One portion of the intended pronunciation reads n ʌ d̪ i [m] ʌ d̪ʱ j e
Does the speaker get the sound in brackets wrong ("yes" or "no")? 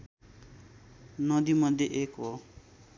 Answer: no